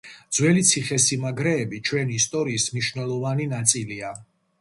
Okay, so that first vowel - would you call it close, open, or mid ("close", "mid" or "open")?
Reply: mid